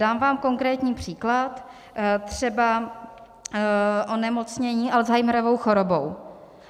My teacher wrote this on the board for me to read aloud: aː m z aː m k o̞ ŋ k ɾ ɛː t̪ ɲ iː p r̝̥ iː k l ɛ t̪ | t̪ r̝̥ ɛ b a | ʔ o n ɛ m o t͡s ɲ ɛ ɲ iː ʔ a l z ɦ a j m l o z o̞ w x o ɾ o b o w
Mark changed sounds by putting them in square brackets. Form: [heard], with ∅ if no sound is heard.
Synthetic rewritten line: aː m [v] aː m k o̞ ŋ k ɾ ɛː t̪ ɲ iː p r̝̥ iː k l [a] t̪ | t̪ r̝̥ ɛ b a | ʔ o n ɛ m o t͡s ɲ ɛ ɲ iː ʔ a l z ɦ a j m [ɾ] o [v] o̞ w x o ɾ o b o w